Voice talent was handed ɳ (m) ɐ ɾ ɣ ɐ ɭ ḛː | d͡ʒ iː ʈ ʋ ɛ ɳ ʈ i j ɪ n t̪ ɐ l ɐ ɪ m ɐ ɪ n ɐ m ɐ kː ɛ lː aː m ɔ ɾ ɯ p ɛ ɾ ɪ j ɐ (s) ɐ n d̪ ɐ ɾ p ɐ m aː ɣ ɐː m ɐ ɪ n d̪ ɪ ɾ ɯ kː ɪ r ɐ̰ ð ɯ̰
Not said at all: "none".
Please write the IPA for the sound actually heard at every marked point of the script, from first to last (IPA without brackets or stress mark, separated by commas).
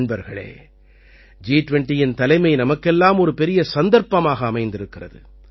b, s